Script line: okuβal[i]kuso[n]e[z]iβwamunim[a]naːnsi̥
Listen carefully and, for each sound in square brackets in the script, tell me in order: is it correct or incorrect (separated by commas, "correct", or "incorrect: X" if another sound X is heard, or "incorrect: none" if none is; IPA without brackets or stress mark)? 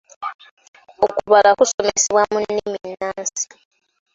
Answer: incorrect: a, incorrect: m, incorrect: s, incorrect: i